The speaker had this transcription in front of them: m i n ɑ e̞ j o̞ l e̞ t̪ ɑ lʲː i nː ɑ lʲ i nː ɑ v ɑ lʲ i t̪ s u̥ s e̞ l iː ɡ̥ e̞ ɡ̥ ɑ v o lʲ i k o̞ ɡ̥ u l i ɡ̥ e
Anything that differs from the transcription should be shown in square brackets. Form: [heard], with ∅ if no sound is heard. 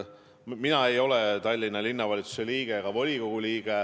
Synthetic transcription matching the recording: m i n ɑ e̞ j o̞ l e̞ t̪ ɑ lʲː i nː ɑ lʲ i nː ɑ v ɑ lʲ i t̪ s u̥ s e̞ l iː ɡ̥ e̞ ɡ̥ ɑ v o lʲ i k o̞ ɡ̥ u l [iː] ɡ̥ e